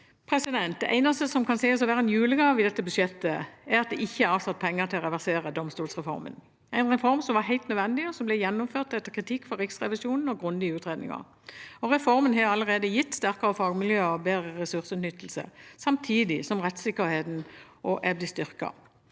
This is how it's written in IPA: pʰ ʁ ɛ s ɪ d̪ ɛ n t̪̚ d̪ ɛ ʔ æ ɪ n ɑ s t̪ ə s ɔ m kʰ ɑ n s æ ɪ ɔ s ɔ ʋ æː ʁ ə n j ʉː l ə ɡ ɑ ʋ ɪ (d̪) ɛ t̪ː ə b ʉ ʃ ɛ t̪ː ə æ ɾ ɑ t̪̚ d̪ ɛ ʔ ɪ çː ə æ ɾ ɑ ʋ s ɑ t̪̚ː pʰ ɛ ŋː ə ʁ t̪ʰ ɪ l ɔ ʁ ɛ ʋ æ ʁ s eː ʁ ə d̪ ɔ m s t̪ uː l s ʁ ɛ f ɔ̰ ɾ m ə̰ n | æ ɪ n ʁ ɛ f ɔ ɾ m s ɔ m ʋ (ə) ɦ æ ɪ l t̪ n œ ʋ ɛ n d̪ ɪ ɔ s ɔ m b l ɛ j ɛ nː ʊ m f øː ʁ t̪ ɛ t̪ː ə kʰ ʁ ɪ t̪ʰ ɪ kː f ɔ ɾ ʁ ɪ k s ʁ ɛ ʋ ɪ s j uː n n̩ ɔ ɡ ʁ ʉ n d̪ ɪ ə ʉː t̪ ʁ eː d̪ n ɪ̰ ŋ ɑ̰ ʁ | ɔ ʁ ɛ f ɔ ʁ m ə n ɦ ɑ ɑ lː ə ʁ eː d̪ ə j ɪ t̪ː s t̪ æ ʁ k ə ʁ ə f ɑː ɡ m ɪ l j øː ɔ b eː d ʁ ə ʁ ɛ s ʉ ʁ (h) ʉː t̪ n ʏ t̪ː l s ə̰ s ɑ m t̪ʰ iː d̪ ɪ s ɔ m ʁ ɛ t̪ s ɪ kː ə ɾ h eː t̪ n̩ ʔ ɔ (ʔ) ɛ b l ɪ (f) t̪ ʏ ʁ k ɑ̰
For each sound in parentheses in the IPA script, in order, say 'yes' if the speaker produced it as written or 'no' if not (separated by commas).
yes, no, no, yes, no